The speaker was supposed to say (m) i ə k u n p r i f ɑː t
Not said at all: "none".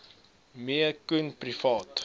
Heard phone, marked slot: m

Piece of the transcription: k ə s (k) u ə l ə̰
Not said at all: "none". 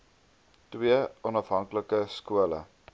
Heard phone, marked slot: k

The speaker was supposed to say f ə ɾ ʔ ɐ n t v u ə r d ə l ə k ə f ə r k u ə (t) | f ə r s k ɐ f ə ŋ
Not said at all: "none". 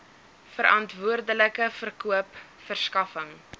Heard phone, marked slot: p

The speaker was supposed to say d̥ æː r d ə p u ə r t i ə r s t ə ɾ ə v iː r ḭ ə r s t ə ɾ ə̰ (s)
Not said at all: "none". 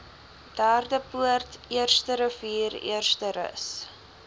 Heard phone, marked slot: s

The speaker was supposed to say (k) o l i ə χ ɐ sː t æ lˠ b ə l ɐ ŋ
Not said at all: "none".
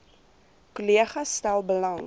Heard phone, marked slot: k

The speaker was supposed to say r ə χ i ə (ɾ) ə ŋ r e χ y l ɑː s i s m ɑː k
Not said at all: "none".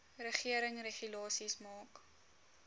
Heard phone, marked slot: ɾ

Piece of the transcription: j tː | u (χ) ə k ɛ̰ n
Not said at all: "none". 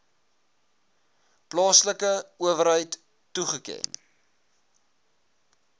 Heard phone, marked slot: χ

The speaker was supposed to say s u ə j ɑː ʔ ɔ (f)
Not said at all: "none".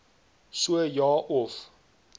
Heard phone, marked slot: f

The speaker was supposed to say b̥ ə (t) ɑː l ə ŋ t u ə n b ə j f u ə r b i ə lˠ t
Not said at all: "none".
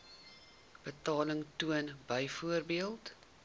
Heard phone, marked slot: t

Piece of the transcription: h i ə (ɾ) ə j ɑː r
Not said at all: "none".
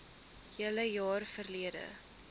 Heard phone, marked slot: l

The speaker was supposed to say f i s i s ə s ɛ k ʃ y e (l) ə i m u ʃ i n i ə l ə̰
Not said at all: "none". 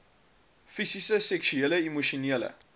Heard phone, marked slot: l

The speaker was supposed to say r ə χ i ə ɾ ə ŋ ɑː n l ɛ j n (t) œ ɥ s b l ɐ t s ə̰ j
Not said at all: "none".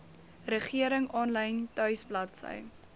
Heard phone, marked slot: t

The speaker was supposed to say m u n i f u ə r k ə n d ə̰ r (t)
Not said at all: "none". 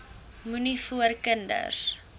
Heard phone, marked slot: s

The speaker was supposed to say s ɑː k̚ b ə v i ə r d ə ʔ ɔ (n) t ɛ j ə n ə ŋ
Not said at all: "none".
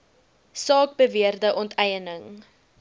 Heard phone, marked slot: n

